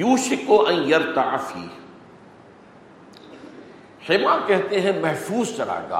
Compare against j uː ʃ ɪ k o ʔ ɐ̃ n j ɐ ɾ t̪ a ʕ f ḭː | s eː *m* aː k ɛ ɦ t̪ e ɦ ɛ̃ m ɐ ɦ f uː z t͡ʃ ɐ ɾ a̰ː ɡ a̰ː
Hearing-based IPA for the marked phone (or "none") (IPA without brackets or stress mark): m